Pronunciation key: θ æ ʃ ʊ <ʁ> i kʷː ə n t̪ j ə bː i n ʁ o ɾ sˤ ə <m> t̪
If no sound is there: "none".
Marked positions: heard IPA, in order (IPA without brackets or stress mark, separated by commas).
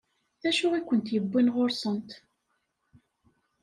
ʁ, n